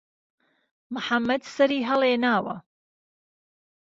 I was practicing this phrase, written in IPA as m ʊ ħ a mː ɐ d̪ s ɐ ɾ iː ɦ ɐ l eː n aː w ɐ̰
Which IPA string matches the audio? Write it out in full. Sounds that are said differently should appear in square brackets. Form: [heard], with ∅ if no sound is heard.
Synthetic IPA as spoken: m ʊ ħ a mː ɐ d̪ s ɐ ɾ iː ɦ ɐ l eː n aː w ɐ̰